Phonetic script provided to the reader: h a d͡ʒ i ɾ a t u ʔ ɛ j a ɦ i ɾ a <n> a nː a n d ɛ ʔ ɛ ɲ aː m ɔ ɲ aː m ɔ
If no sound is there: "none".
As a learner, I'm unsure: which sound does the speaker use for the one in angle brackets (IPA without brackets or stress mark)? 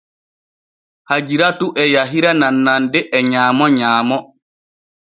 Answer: n